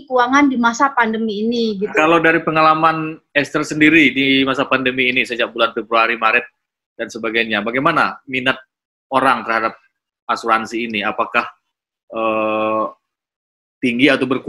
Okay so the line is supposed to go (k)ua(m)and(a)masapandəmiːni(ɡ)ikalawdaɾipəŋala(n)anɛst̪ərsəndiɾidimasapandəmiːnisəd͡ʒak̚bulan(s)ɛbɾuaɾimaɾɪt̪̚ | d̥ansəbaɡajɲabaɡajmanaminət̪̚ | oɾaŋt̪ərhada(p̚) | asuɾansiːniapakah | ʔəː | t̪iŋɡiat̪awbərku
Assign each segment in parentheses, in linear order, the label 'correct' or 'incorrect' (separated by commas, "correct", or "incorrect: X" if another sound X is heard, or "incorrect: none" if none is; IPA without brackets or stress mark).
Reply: correct, incorrect: ŋ, incorrect: i, correct, incorrect: m, incorrect: f, correct